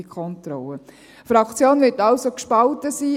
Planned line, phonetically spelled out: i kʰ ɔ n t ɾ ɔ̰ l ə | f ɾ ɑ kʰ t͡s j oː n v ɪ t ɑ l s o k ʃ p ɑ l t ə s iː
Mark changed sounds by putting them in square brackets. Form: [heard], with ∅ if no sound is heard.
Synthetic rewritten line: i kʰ ɔ n t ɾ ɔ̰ l ə | f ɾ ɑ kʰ t͡s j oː n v ɪ t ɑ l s o k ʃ p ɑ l t ə s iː